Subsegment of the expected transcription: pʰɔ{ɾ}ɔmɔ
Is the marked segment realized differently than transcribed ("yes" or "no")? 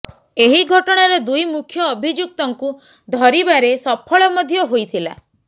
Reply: yes